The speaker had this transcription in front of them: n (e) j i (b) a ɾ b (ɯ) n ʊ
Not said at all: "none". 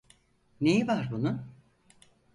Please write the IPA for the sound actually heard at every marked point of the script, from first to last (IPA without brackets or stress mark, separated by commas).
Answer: e, v, u